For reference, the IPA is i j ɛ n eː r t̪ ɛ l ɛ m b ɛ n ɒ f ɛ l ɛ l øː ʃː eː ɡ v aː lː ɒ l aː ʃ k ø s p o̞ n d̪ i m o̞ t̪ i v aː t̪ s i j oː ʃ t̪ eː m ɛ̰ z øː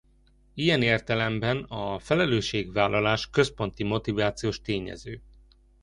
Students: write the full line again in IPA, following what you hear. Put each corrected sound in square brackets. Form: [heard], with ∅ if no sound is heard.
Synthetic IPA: i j ɛ n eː r t̪ ɛ l ɛ m b ɛ n ɒ f ɛ l ɛ l øː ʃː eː ɡ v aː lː ɒ l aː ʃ k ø s p o̞ n [t̪] i m o̞ t̪ i v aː t̪ s i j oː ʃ t̪ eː [ɲ] ɛ̰ z øː